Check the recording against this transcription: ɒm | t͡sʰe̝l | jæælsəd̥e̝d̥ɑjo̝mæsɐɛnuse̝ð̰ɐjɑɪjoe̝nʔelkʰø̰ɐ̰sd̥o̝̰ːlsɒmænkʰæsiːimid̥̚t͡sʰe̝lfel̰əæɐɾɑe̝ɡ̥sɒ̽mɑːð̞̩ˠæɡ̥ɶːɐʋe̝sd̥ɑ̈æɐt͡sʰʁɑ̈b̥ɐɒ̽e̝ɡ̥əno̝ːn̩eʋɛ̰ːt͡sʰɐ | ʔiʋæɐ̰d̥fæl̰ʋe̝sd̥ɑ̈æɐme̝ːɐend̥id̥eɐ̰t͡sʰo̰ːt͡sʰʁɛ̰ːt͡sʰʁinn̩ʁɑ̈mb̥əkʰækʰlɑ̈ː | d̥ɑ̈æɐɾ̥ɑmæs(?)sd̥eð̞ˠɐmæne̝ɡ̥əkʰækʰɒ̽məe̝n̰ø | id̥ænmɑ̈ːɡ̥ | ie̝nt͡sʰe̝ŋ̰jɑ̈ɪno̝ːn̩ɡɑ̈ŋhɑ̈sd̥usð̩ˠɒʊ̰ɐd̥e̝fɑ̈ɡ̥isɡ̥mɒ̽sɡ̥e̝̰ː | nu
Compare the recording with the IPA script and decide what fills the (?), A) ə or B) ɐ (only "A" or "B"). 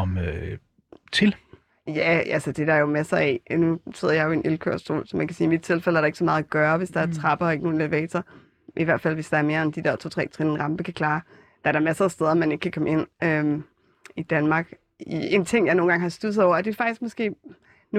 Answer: B